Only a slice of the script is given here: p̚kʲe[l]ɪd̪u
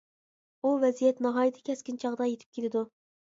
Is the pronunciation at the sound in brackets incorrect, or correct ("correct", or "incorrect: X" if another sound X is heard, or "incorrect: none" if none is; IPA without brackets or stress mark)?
correct